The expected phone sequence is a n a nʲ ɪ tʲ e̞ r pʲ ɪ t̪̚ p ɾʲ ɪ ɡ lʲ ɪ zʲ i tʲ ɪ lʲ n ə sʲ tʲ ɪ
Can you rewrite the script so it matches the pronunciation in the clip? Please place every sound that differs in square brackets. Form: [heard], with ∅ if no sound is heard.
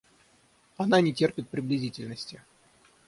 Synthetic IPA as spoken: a n a nʲ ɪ tʲ e̞ r pʲ ɪ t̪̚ p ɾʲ ɪ [b] lʲ ɪ zʲ i tʲ ɪ lʲ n ə sʲ tʲ ɪ